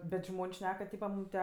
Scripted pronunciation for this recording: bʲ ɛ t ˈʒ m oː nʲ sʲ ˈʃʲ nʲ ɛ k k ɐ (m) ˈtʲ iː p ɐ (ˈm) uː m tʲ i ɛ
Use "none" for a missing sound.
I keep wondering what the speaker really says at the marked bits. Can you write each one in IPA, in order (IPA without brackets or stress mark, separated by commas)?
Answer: none, m